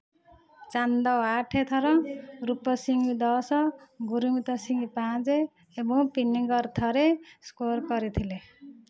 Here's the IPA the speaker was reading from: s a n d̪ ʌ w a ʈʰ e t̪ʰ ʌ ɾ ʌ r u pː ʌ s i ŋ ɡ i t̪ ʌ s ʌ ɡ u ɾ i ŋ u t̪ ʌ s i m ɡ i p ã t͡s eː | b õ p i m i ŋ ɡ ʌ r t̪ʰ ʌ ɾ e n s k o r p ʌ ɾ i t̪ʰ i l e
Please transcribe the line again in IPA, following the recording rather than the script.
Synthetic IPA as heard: t͡s a n d̪ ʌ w a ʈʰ e t̪ʰ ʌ ɾ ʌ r u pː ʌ s i ŋ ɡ i d̪ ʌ s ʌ ɡ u ɾ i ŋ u t̪ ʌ s i ŋ ɡ i p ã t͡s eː | b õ p i n i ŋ ɡ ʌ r t̪ʰ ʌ ɾ e s k o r k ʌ ɾ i t̪ʰ i l e